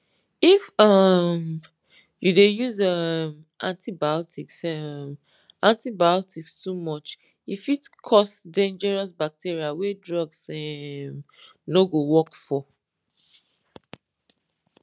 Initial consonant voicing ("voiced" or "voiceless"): voiceless